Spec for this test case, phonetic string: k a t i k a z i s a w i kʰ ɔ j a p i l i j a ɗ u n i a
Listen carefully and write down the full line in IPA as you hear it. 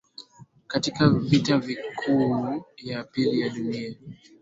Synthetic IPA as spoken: k a t i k a v i t a v i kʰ u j a p i l i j a ɗ u n i a

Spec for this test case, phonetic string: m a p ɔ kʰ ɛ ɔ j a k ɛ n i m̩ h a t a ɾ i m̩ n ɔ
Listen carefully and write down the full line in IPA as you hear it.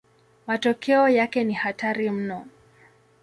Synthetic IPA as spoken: m a t ɔ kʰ ɛ ɔ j a k ɛ n i h a t a ɾ i m̩ n ɔ

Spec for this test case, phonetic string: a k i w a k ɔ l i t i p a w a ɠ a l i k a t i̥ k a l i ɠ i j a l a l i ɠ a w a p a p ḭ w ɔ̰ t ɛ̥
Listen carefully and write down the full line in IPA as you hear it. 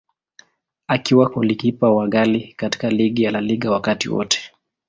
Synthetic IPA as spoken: a k i w a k ɔ l i k i p a w a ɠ a l i k a t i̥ k a l i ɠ i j a l a l i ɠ a w a k a t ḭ w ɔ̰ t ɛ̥

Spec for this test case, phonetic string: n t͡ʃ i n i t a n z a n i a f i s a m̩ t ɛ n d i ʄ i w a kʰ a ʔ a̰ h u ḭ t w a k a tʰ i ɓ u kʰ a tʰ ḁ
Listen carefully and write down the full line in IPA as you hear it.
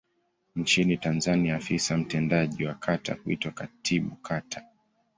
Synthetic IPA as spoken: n t͡ʃ i n i t a n z a n i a f i s a m̩ t ɛ n d a ʄ i w a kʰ a t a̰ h u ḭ t w a k a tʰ i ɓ u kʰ a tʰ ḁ

